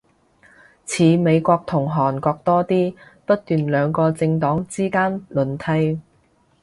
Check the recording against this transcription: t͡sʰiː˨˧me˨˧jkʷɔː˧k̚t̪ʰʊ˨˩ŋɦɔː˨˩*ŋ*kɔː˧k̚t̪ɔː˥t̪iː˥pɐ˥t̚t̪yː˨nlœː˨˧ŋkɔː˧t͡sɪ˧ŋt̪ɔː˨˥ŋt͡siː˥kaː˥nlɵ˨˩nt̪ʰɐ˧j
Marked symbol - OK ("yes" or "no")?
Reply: no